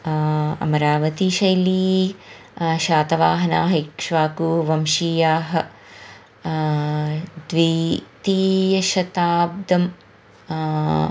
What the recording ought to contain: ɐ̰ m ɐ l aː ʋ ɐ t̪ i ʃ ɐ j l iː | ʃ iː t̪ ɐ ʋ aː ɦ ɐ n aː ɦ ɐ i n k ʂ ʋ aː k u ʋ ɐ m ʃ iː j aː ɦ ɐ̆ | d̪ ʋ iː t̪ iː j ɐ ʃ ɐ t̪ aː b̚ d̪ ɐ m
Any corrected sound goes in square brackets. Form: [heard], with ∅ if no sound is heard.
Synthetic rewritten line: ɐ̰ m ɐ [ɾ] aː ʋ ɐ t̪ i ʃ ɐ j l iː | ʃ [aː] t̪ ɐ ʋ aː ɦ ɐ n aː ɦ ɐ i [∅] k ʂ ʋ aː k u ʋ ɐ m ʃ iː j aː ɦ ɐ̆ | d̪ ʋ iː t̪ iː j ɐ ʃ ɐ t̪ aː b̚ d̪ ɐ m